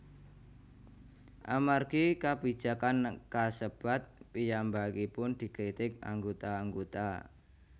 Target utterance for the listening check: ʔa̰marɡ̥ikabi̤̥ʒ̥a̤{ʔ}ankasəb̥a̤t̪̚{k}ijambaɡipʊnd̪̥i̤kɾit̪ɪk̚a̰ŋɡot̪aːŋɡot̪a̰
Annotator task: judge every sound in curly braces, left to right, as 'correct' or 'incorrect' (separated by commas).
incorrect, incorrect